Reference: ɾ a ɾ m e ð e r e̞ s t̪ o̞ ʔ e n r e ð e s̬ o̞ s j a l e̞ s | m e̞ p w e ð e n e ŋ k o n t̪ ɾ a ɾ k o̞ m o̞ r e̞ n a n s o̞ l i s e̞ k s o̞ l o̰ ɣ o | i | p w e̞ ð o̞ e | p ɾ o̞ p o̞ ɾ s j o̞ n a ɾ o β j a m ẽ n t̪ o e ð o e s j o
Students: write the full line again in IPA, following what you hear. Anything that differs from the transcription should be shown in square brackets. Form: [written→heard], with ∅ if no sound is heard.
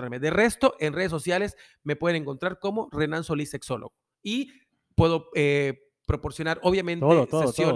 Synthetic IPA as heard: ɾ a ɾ m e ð e r e̞ s t̪ o̞ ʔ e n r e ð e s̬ o̞ s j a l e̞ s | m e̞ p w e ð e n e ŋ k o n t̪ ɾ a ɾ k o̞ m o̞ r e̞ n a n s o̞ l i s e̞ k s o̞ l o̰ ɣ o | i | p w e̞ ð o̞ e | p ɾ o̞ p o̞ ɾ s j o̞ n a ɾ o β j a m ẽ n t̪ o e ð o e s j o